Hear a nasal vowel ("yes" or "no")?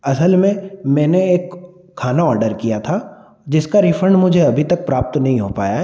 yes